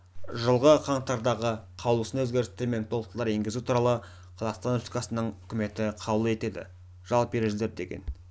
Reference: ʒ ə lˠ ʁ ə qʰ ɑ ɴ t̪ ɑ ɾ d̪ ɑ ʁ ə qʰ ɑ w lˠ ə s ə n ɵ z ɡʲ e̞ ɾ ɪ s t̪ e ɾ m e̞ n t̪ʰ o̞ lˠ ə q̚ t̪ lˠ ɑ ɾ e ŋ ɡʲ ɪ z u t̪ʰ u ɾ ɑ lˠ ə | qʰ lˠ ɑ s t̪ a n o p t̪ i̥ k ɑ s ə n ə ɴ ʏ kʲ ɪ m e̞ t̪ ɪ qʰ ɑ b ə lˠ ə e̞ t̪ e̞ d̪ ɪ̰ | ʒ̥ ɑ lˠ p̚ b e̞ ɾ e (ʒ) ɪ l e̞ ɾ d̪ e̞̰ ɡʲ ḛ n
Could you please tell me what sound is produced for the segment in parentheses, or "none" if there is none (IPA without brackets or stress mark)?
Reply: ʒ